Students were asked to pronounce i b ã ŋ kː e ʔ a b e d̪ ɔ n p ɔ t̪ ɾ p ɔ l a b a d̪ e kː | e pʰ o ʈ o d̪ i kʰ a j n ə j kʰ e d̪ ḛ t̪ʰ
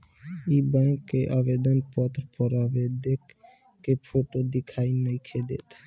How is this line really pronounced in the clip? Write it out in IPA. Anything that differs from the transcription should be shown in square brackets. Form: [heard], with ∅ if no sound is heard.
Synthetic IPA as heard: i b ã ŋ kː e ʔ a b e d̪ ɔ n p ɔ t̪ ɾ p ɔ [ɾ] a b [e] d̪ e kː | e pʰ o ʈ o d̪ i kʰ a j n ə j kʰ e d̪ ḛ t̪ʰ